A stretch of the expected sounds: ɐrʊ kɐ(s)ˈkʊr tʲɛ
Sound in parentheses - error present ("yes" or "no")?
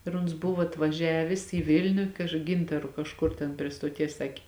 yes